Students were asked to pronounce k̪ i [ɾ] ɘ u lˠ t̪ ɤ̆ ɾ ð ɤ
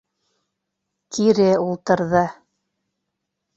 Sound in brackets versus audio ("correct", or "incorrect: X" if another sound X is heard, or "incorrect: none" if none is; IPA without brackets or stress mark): correct